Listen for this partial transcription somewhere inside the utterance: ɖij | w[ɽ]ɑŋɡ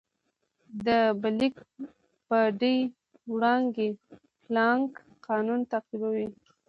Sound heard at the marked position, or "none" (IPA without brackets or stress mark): ɽ